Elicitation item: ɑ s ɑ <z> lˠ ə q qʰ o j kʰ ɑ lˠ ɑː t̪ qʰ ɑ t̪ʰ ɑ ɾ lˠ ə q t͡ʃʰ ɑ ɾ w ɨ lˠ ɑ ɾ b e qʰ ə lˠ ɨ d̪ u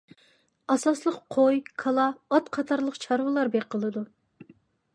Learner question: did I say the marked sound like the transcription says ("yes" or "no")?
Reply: no